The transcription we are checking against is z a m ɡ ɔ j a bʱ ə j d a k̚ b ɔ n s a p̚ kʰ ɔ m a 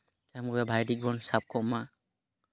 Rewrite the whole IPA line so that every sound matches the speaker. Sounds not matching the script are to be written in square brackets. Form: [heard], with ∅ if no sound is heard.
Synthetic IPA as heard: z a m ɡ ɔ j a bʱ [a] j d [i] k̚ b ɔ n s a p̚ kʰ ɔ m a